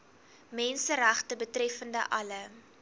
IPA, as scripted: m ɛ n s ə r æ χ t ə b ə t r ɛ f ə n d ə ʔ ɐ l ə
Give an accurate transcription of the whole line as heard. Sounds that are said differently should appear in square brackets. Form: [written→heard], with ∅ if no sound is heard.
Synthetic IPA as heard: m ɛ n s ə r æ χ t ə b ə t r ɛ f ə n d ə ʔ ɐ l ə